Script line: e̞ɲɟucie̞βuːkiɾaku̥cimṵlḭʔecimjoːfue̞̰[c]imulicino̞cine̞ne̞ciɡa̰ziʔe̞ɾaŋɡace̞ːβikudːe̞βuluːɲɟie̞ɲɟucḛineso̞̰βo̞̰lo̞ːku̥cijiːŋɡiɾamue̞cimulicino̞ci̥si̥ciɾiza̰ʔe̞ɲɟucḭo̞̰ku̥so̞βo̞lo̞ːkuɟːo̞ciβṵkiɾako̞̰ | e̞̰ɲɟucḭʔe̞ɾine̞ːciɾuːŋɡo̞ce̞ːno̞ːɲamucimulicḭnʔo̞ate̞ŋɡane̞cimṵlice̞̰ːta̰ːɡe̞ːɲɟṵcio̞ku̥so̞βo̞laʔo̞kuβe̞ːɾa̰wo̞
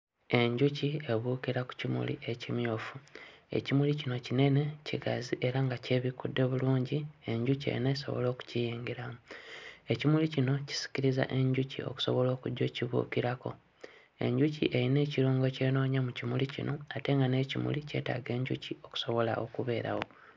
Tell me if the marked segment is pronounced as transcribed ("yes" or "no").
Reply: yes